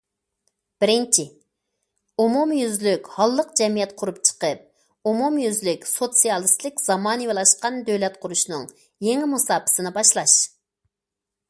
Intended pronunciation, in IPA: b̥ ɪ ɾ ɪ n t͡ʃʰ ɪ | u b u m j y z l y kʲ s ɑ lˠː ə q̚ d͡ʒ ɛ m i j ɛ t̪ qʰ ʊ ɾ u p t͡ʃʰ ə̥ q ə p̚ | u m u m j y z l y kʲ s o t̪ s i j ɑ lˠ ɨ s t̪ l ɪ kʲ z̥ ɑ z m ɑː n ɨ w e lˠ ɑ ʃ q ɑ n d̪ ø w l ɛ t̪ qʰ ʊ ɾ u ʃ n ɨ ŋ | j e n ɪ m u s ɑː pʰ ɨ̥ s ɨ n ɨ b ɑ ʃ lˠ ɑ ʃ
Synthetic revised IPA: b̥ ɪ ɾ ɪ n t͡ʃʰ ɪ | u m u m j y z l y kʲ h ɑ lˠː ə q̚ d͡ʒ ɛ m i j ɛ t̪ qʰ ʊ ɾ u p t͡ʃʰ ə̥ q ə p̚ | u m u m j y z l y kʲ s o t̪ s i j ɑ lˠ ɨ s t̪ l ɪ kʲ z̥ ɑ m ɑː n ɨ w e lˠ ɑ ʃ q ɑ n d̪ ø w l ɛ t̪ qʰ ʊ ɾ u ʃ n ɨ ŋ | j e ŋ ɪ m u s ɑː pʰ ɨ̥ s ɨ n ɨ b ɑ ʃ lˠ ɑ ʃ